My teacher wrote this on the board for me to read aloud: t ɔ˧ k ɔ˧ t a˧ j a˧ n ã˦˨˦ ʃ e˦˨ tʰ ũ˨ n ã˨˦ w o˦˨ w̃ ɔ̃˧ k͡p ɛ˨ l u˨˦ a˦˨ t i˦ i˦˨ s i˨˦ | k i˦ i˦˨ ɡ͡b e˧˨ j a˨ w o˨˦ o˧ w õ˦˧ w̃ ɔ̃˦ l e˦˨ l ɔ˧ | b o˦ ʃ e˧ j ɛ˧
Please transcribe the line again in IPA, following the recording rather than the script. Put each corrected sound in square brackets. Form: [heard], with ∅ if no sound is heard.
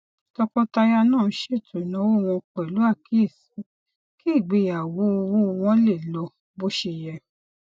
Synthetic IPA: t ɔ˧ k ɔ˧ t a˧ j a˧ n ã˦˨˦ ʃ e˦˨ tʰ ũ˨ n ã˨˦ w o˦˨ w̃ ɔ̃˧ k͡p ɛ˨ l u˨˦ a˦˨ [k] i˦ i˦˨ s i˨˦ | k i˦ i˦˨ ɡ͡b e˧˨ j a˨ w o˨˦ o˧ w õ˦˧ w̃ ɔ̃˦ l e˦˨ l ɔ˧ | b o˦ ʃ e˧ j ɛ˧